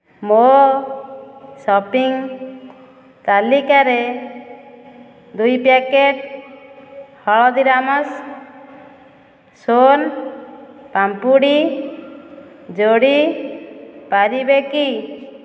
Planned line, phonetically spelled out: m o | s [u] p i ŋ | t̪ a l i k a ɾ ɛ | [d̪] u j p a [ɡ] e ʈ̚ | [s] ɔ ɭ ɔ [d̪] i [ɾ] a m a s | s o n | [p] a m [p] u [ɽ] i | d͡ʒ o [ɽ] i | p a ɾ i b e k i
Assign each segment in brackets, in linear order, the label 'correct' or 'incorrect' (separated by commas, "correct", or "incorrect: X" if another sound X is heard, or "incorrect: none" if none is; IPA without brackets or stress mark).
incorrect: ɔ, correct, incorrect: k, incorrect: h, correct, correct, correct, correct, correct, correct